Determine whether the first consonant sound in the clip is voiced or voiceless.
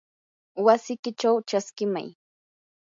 voiced